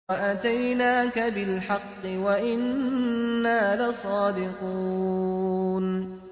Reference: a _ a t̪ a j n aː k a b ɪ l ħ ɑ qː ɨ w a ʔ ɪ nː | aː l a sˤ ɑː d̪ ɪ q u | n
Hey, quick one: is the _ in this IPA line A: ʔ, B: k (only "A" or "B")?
A